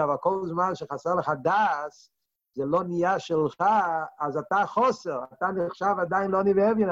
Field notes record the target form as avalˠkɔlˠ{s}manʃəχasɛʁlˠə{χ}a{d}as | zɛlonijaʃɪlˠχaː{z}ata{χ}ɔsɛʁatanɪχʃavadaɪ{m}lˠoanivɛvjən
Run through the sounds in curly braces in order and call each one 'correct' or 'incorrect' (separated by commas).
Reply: incorrect, correct, correct, correct, correct, incorrect